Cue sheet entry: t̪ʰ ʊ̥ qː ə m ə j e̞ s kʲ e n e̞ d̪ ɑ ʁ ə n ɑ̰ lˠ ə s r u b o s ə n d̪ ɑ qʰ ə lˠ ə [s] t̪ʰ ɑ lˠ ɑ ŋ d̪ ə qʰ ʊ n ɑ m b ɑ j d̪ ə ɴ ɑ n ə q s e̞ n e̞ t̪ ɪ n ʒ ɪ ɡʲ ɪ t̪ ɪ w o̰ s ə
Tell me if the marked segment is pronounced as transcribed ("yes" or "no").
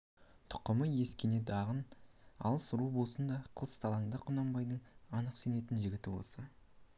yes